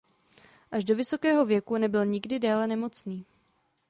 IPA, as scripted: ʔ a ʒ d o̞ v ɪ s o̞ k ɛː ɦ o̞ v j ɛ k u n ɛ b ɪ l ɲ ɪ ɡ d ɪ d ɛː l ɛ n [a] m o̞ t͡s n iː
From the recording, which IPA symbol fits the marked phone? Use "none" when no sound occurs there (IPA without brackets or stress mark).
ɛ